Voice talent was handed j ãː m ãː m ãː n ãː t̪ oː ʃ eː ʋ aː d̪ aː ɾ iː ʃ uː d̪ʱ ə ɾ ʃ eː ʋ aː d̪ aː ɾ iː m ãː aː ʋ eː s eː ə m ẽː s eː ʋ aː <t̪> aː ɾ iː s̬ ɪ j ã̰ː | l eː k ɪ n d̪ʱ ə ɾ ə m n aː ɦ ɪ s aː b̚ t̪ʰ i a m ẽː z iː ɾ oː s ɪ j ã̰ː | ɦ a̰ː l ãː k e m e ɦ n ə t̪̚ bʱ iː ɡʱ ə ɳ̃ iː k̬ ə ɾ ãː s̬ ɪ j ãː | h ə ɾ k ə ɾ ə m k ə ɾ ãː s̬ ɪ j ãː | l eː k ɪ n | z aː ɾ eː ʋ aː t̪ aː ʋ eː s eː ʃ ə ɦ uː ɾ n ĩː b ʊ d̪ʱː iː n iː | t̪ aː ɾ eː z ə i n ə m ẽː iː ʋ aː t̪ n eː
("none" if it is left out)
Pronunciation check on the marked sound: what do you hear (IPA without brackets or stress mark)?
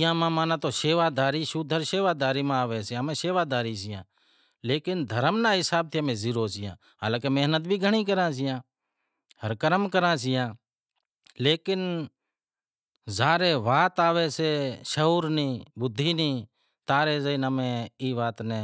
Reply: d̪